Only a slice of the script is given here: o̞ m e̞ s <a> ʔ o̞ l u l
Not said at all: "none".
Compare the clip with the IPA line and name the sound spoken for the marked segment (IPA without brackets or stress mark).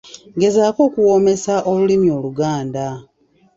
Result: a